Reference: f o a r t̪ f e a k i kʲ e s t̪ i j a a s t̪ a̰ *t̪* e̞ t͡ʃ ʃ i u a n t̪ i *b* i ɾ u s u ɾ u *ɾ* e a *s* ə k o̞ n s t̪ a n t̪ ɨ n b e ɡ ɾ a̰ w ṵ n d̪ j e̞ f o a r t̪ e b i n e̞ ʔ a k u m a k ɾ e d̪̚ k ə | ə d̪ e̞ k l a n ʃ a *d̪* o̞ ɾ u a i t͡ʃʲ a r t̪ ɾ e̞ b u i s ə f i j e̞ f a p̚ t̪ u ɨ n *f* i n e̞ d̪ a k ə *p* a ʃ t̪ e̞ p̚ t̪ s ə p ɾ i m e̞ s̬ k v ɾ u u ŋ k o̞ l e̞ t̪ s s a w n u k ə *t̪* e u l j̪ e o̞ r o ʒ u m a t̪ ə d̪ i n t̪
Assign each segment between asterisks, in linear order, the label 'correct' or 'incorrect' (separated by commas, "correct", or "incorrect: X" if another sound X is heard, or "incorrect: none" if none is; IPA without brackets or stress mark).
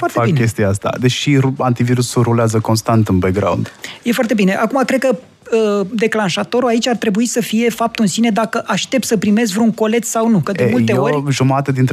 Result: incorrect: d̪, incorrect: v, incorrect: l, incorrect: z, incorrect: t̪, incorrect: s, incorrect: ʔ, incorrect: d̪